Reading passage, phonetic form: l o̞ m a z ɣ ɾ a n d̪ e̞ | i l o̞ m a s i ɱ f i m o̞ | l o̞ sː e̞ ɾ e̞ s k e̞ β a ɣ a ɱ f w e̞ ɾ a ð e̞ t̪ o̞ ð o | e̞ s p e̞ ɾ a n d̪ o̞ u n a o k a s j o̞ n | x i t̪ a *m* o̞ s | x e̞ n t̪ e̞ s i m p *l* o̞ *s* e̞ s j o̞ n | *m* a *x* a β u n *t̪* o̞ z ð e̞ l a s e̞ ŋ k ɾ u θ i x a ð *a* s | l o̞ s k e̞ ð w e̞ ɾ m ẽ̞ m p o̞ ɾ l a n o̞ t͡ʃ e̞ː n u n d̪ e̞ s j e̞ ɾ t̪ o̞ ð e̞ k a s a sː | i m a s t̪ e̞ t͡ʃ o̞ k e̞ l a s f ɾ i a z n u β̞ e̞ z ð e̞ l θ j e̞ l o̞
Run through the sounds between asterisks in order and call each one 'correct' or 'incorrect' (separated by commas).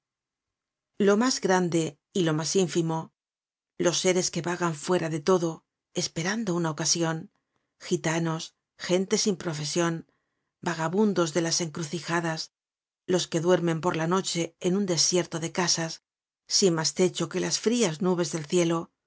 incorrect, incorrect, incorrect, incorrect, incorrect, incorrect, correct